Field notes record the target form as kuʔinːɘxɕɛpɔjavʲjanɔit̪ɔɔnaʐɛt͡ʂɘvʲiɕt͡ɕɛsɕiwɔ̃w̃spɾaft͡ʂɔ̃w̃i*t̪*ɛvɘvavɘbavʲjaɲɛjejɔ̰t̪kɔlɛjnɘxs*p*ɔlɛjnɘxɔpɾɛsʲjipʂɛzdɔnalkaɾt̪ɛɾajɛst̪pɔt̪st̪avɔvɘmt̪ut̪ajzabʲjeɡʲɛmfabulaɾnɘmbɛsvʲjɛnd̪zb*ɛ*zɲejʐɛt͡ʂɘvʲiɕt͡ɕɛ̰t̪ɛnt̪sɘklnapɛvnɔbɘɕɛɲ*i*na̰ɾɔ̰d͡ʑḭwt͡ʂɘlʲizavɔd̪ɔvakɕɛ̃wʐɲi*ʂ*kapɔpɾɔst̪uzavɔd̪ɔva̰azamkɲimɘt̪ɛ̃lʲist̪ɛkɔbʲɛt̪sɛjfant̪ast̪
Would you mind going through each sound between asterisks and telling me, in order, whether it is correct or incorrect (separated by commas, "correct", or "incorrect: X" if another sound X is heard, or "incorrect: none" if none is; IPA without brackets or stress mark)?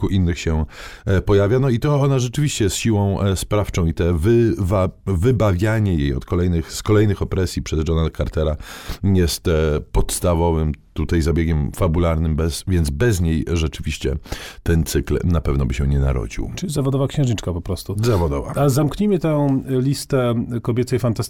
correct, incorrect: k, correct, incorrect: ɛ, incorrect: t͡ʂ